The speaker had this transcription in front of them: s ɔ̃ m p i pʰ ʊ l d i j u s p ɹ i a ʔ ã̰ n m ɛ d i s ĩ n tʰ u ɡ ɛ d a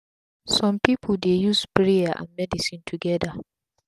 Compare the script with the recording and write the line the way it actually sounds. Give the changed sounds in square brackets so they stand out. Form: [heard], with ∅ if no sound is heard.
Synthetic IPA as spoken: s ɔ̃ m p i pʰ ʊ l d [e] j u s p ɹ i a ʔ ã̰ n m ɛ d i s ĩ n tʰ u ɡ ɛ d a